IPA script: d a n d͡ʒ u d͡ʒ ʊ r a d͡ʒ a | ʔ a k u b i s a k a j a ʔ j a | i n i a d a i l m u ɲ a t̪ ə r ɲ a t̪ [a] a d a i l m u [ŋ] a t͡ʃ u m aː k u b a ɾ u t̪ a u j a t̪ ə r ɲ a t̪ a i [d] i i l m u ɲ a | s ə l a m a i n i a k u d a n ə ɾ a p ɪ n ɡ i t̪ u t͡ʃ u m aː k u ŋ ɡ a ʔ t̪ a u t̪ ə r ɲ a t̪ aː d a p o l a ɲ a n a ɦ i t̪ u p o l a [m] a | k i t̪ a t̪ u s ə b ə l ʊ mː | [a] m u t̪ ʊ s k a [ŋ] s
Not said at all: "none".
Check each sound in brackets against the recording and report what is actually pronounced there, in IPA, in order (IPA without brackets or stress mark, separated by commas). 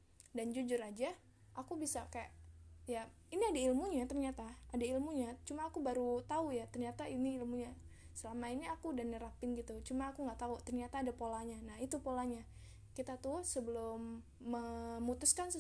a, ɲ, n, ɲ, ə, n